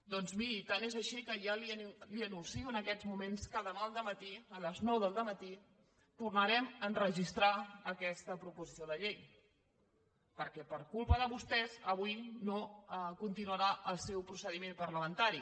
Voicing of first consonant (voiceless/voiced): voiced